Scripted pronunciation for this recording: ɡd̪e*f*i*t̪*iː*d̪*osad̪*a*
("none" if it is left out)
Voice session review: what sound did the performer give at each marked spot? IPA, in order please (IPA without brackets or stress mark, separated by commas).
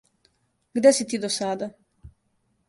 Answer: s, t̪, d̪, a